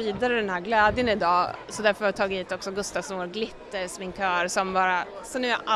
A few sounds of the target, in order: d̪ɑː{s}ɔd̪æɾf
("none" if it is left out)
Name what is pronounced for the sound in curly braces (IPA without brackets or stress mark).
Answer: s